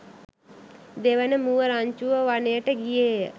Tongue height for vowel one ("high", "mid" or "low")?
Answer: mid